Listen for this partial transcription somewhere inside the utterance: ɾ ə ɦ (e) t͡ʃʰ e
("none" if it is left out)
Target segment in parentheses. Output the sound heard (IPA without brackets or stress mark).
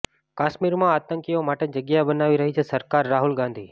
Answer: i